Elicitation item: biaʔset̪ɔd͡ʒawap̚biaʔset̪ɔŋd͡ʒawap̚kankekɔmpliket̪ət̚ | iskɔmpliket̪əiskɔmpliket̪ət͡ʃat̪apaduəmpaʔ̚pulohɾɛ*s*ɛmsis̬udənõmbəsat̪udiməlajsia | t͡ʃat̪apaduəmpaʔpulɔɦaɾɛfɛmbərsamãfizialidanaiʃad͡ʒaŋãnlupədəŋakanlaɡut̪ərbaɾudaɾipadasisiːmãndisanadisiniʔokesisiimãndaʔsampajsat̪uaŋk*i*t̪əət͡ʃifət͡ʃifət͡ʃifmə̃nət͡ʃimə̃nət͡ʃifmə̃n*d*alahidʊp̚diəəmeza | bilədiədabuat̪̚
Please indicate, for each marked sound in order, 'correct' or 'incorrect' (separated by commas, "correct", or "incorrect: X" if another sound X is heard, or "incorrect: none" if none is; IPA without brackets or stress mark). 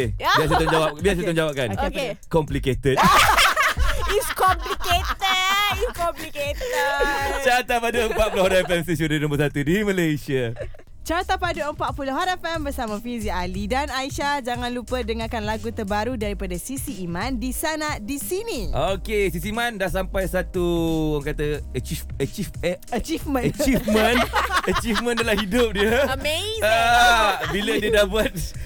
incorrect: f, incorrect: a, correct